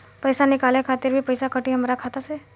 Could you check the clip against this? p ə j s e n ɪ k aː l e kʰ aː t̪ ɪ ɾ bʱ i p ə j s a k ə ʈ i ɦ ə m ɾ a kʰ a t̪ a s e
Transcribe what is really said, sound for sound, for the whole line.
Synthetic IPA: p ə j s a n ɪ k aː l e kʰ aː t̪ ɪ ɾ bʱ i p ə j s a k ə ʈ i ɦ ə m ɾ a kʰ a t̪ a s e